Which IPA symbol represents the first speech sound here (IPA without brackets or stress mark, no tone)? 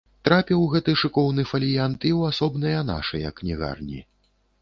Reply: t̪